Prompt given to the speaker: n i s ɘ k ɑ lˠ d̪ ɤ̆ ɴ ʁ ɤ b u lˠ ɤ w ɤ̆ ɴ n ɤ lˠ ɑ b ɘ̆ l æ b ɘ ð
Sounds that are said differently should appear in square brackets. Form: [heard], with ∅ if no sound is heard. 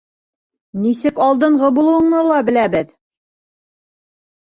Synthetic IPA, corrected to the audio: n i s ɘ k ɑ lˠ d̪ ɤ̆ ɴ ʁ ɤ b u lˠ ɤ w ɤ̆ ɴ n ɤ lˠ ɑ b ɘ̆ l æ b ɘ ð